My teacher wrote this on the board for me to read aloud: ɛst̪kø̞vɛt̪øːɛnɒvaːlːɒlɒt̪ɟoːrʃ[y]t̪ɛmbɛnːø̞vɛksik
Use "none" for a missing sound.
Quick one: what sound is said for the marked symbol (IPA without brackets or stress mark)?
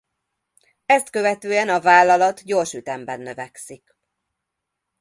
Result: y